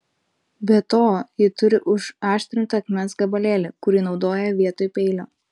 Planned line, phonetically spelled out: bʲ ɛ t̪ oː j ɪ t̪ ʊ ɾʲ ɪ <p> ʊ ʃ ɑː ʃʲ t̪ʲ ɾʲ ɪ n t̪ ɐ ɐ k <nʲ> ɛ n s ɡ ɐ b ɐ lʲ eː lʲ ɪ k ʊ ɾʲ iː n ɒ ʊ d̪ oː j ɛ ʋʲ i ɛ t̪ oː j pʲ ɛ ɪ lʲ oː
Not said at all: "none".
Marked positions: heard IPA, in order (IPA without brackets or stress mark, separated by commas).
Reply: ʔ, mʲ